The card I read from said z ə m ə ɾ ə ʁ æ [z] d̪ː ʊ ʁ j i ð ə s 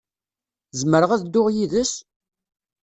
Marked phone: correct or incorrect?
incorrect